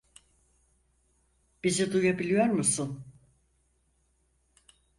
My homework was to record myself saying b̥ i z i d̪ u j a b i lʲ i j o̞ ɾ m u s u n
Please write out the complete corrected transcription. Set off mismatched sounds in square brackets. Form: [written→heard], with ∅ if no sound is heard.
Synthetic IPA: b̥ i z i d̪ u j a b i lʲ i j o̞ ɾ m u s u n